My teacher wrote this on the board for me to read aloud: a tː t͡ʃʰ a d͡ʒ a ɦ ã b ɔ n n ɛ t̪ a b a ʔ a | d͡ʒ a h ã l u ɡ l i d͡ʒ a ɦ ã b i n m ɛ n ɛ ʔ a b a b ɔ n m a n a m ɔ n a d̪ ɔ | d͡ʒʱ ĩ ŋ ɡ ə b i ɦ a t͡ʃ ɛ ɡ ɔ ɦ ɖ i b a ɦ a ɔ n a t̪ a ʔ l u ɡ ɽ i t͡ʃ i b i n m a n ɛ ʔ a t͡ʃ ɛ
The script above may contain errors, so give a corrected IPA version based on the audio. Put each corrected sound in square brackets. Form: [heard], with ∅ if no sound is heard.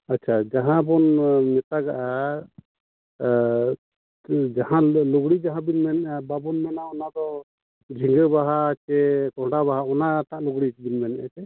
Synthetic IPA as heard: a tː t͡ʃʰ a d͡ʒ a ɦ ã b ɔ n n ɛ t̪ a [ɡ] a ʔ a | d͡ʒ a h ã l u ɡ [ɽ] i d͡ʒ a ɦ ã b i n m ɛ n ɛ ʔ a b a b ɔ n m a n a [∅] ɔ n a d̪ ɔ | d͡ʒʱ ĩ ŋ ɡ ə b [a] ɦ a t͡ʃ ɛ [k] ɔ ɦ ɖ [a] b a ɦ a ɔ n a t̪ a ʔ l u ɡ ɽ i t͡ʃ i b i n m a n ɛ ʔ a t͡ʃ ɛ

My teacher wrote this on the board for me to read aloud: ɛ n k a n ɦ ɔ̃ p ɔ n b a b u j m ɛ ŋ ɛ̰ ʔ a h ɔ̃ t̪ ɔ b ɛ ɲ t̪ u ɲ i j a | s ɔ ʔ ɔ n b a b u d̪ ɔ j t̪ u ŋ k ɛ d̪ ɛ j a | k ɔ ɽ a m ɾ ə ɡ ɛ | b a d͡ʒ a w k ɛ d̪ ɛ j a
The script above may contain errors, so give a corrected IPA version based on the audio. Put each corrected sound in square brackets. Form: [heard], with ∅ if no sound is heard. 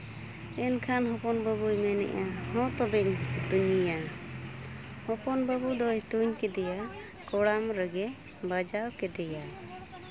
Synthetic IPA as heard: ɛ n [kʰ] a n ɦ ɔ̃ p ɔ n b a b u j m ɛ [n] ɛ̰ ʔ a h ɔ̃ t̪ ɔ b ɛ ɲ t̪ u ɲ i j a | [h] ɔ [p] ɔ n b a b u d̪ ɔ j t̪ u [ɲ] k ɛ d̪ ɛ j a | k ɔ ɽ a m ɾ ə ɡ ɛ | b a d͡ʒ a w k ɛ d̪ ɛ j a

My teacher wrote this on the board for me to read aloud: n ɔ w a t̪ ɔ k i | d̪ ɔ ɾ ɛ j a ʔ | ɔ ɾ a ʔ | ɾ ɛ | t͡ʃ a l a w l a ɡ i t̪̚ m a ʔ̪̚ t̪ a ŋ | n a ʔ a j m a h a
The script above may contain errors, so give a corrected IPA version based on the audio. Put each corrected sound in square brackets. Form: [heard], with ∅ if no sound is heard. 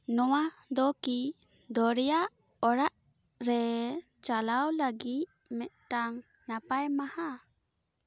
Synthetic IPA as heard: n ɔ w a [d̪] ɔ k i | d̪ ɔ ɾ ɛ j a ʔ | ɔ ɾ a ʔ | ɾ ɛ | t͡ʃ a l a w l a ɡ i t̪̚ m [ɛ] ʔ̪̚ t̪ a ŋ | n a [p] a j m a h a

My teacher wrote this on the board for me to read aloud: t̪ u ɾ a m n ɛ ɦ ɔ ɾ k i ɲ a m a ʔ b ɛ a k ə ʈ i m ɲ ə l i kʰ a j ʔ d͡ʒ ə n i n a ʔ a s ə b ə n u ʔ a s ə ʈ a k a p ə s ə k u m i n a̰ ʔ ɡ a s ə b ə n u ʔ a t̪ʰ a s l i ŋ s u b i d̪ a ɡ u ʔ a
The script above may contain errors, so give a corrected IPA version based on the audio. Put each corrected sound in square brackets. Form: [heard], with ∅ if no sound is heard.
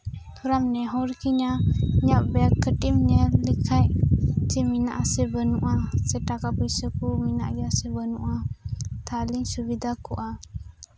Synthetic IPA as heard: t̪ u ɾ a m n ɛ ɦ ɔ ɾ k i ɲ a [ɲ] a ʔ b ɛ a k ə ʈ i m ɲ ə l i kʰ a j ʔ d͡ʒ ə [m] i n a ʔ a s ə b ə n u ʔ a s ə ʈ a k a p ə s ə k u m i n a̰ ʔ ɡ a s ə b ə n u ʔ a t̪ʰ a [∅] l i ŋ s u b i d̪ a [k] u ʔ a

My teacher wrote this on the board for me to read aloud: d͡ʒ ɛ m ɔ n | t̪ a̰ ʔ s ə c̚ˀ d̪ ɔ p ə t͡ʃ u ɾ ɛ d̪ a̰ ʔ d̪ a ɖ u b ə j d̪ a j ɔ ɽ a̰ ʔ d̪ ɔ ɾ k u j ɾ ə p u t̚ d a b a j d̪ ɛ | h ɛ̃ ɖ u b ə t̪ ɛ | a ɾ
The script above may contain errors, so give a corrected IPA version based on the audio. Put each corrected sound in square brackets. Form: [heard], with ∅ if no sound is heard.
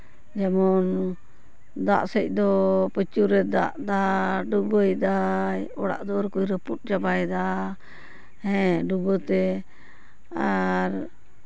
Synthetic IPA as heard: d͡ʒ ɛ m ɔ n | [d̪] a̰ ʔ s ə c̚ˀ d̪ ɔ p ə t͡ʃ u ɾ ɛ d̪ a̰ ʔ d̪ a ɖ u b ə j d̪ a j ɔ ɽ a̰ ʔ d̪ ɔ ɾ k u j ɾ ə p u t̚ [d͡ʒ] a b a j d̪ [a] | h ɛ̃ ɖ u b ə t̪ ɛ | a ɾ

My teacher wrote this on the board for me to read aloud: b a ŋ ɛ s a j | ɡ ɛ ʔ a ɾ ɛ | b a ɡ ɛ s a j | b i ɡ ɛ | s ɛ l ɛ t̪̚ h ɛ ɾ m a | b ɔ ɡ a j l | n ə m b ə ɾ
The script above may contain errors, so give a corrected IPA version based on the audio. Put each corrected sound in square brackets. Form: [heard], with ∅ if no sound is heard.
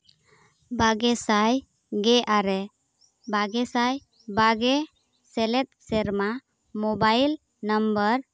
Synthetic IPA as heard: b a [ɡ] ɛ s a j | ɡ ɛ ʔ a ɾ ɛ | b a ɡ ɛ s a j | b [a] ɡ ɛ | s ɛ l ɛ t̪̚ [s] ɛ ɾ m a | [m] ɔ [b] a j l | n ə m b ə ɾ

